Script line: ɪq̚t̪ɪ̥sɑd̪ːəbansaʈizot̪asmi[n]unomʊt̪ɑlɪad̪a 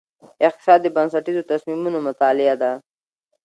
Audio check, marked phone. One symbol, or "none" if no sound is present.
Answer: m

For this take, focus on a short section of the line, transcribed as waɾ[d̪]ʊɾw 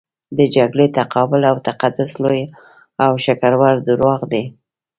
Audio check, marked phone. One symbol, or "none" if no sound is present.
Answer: d̪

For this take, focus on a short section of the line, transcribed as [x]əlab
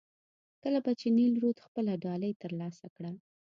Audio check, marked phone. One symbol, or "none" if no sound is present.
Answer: k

